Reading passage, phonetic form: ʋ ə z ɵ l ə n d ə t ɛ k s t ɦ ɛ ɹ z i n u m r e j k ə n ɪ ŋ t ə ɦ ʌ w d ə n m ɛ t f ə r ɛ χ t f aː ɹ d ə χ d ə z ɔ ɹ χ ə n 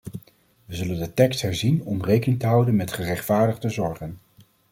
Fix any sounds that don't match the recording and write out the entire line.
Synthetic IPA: ʋ ə z ɵ l ə n d ə t ɛ k s t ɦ ɛ ɹ z i n ɔ m r e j k ə n ɪ ŋ t ə ɦ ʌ w d ə n m ɛ t χ ə r ɛ χ t f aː ɹ d ə χ d ə z ɔ ɹ χ ə n